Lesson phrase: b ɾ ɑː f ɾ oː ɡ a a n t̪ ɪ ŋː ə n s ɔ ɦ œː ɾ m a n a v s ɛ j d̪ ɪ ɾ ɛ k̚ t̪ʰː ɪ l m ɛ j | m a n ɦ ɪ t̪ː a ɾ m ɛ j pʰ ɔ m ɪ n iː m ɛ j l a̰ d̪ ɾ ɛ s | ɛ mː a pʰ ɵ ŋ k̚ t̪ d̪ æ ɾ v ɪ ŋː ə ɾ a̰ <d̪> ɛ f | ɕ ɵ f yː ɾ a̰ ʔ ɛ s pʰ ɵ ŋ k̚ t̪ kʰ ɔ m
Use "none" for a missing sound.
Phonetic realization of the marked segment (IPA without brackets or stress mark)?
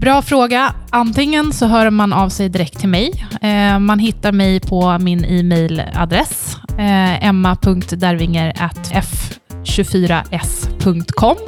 t̪